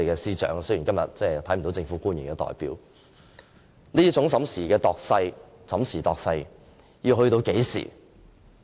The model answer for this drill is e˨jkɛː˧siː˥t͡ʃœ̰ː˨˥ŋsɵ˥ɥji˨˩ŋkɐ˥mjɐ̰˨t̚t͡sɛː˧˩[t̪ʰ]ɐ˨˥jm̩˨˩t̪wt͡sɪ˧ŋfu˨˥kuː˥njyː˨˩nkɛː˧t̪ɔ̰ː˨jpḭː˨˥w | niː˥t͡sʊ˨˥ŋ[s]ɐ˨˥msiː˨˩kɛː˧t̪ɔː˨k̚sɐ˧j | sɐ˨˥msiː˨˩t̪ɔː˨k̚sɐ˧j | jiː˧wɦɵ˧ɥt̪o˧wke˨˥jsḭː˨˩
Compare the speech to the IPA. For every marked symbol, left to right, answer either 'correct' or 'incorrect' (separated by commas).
correct, correct